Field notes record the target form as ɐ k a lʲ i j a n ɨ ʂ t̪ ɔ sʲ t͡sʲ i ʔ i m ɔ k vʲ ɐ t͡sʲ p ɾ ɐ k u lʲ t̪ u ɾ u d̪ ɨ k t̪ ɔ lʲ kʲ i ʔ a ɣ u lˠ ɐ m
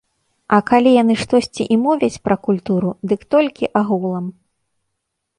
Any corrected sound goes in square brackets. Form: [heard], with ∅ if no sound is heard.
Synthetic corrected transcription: ɐ k a lʲ i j a n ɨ ʂ t̪ ɔ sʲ t͡sʲ i ʔ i m ɔ [∅] vʲ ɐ t͡sʲ p ɾ ɐ k u lʲ t̪ u ɾ u d̪ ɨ k t̪ ɔ lʲ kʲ i ʔ a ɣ u lˠ ɐ m